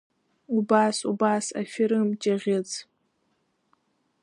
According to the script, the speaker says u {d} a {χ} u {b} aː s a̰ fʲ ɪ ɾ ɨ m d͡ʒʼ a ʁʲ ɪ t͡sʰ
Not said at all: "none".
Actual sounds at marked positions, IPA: b, s, b

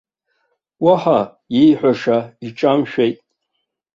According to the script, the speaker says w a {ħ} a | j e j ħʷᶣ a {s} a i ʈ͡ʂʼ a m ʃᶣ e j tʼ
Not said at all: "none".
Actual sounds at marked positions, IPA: ħ, ʂ

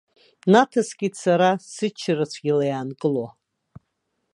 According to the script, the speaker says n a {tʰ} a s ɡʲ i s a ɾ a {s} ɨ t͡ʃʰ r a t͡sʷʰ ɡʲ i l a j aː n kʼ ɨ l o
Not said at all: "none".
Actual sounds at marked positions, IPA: tʰ, s

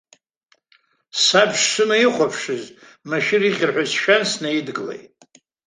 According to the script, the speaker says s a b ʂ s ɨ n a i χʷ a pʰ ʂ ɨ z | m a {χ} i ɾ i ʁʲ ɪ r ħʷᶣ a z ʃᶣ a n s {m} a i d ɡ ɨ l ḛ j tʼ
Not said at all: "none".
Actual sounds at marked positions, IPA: ʃ, n

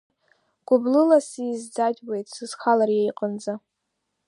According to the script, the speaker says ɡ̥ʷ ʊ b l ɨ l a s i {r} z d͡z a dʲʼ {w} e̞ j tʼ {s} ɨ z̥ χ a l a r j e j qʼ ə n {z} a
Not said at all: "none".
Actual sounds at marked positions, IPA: none, w, s, d͡z

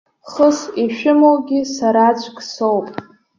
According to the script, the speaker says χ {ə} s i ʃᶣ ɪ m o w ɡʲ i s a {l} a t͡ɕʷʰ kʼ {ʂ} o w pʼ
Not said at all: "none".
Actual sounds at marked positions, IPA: ə, ɾ, s

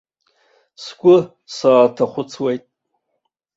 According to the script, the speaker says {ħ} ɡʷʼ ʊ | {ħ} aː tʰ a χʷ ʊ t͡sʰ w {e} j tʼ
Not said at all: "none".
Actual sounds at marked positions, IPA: s, s, e

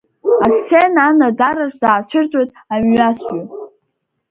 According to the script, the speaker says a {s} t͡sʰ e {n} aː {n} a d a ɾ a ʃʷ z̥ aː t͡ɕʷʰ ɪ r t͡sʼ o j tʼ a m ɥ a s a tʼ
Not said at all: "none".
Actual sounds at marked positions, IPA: s, n, n

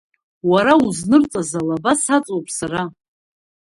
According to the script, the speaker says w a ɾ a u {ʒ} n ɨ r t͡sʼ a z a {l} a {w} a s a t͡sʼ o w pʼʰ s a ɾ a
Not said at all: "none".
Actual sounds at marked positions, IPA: z, l, b

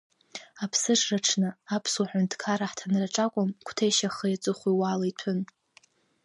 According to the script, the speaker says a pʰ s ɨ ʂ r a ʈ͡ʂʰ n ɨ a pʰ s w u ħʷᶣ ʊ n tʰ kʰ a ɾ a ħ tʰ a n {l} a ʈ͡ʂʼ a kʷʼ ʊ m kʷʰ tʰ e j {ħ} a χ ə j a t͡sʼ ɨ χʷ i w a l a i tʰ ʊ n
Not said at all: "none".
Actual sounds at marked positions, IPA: r, ʃ

